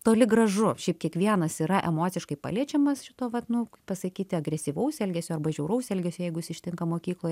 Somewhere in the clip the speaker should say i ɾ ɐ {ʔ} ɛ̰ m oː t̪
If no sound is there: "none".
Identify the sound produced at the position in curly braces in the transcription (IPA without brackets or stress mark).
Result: ʔ